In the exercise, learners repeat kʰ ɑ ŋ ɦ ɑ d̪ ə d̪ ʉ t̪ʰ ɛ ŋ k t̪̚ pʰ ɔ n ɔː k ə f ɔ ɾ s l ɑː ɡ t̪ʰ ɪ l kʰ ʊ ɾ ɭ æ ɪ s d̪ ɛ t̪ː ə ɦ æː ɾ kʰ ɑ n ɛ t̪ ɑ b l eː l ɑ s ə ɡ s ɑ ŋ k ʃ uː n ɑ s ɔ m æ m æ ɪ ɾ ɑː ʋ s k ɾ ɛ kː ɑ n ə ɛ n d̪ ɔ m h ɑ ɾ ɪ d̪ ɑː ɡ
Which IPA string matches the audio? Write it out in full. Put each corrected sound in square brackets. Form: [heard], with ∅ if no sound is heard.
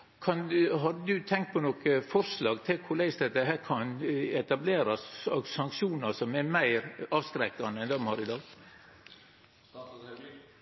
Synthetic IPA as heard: kʰ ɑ [n] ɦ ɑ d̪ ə d̪ ʉ t̪ʰ ɛ ŋ k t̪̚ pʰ ɔ n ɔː k ə f ɔ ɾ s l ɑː ɡ t̪ʰ ɪ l kʰ ʊ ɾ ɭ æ ɪ s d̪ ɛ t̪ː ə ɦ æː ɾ kʰ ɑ n ɛ t̪ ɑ b l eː [ɾ] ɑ s [ɑ] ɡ s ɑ ŋ k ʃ uː n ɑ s ɔ m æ m æ ɪ ɾ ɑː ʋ s k ɾ ɛ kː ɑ n ə ɛ n d̪ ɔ m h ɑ ɾ ɪ d̪ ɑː ɡ